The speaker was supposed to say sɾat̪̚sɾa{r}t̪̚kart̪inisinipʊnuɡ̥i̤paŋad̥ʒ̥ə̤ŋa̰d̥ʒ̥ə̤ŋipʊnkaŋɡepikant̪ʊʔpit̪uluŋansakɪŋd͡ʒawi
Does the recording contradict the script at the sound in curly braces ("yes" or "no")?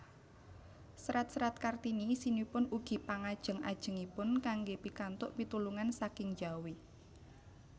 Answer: yes